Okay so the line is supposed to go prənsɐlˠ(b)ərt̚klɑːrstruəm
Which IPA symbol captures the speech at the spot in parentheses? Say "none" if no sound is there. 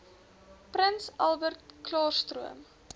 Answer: b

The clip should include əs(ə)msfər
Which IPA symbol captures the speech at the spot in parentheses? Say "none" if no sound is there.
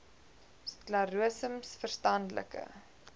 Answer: ə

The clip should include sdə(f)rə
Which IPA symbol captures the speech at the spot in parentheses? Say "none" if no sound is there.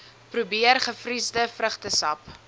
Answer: f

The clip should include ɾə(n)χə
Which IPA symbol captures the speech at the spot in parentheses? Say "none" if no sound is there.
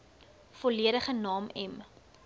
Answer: none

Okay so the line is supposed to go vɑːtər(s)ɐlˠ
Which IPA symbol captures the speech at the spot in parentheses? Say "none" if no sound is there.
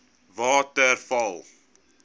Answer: f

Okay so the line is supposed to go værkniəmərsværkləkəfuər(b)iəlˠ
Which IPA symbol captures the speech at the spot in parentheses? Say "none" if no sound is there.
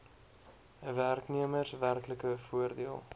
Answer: d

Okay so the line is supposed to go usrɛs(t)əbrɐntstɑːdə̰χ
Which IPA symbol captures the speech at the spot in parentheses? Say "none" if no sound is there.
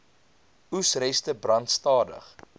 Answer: t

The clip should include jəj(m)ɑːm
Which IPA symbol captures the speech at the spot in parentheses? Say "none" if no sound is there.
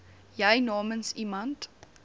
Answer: n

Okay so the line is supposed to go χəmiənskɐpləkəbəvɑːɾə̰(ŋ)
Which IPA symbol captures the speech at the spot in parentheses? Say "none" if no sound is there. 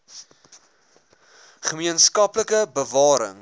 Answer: ŋ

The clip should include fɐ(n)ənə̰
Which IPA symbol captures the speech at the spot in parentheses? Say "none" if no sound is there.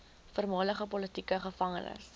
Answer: ŋ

